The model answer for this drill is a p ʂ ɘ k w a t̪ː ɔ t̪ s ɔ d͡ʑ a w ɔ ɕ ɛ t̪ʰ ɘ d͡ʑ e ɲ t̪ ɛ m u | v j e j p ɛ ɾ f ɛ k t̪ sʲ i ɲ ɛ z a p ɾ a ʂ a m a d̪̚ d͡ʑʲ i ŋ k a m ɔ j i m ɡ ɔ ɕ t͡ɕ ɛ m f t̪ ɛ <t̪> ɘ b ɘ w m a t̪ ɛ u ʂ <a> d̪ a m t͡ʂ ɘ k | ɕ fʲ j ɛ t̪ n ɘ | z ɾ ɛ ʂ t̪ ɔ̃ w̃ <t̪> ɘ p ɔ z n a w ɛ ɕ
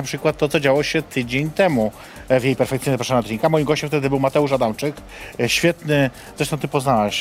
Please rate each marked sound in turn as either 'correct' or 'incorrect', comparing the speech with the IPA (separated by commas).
incorrect, correct, correct